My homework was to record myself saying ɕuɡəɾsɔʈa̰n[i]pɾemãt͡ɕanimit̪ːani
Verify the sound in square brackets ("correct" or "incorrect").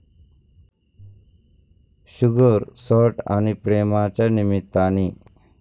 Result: correct